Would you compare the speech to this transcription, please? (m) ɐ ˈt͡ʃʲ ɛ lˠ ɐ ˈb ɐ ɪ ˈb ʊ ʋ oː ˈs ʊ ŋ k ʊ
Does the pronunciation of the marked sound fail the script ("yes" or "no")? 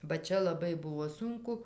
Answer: yes